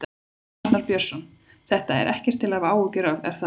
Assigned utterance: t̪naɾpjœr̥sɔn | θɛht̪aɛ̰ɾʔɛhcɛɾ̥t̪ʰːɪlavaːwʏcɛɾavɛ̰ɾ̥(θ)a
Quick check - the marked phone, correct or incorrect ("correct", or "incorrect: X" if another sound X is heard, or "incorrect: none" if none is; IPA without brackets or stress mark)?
correct